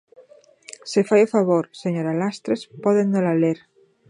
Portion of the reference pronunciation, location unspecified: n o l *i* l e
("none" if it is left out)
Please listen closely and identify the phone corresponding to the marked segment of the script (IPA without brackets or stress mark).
a